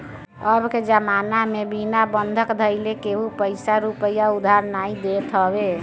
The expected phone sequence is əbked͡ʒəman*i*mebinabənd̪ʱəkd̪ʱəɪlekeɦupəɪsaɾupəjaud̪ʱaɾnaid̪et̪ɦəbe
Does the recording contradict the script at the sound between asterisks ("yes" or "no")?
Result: yes